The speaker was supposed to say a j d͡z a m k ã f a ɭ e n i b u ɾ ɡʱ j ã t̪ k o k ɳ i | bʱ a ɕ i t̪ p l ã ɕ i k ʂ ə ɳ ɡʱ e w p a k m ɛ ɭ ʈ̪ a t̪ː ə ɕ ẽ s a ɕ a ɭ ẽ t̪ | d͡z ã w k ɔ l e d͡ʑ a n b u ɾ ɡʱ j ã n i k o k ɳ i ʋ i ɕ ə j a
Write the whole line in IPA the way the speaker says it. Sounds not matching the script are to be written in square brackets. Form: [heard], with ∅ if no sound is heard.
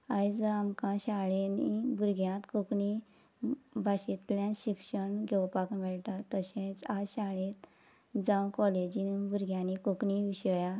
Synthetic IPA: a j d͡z a m k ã [ɕ] a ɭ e n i b u ɾ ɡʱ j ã t̪ k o k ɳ i | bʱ a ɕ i t̪ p l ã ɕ i k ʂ ə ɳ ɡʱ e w p a k m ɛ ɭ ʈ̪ a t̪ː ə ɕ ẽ [t͡s] a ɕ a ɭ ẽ t̪ | d͡z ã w k ɔ l e d͡ʑ [i] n b u ɾ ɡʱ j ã n i k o k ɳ i ʋ i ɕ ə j a